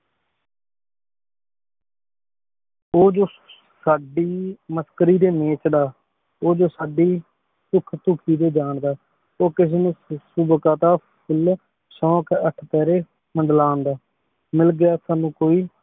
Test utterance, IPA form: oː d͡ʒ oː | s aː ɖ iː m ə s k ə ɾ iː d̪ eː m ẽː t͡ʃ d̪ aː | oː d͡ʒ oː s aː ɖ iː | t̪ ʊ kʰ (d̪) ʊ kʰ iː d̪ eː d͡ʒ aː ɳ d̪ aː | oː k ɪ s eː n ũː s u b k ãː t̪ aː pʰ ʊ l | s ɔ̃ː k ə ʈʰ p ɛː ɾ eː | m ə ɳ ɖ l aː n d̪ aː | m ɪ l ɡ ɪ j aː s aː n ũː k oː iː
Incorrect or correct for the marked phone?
incorrect: t̪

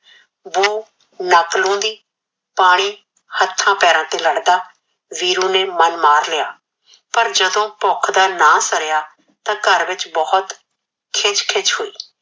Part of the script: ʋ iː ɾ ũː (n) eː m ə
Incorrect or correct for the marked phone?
correct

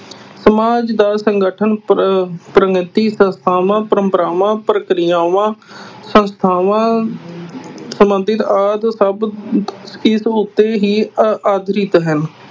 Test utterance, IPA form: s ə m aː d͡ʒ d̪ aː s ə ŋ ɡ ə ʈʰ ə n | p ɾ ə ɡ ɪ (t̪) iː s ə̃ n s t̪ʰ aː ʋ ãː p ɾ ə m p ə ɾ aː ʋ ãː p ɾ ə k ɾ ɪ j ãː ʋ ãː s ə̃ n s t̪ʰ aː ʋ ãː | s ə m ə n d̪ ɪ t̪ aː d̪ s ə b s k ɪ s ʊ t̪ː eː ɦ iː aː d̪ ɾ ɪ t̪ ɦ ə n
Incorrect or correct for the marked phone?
correct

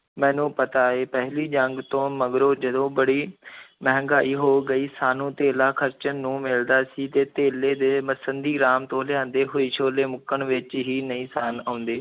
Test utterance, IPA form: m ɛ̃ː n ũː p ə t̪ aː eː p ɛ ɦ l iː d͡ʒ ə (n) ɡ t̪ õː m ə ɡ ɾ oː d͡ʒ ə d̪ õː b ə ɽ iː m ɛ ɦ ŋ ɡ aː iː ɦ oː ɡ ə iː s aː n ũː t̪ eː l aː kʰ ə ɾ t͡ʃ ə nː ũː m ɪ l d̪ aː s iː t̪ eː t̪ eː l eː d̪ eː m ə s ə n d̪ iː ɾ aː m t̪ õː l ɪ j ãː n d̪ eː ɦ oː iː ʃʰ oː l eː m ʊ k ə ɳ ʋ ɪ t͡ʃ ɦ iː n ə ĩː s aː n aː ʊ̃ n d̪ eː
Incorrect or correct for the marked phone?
incorrect: ŋ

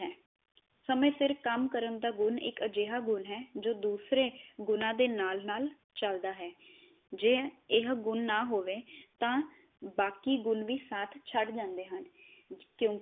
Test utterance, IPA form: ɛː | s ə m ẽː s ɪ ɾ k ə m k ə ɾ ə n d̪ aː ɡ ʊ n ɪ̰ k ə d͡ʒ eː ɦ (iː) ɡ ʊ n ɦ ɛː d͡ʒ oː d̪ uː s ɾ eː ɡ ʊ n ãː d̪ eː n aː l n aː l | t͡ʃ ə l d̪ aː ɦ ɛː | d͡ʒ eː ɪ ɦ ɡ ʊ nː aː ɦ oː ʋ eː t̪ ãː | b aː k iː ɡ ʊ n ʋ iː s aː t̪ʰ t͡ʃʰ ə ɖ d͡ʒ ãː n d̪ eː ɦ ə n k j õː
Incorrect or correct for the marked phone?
incorrect: aː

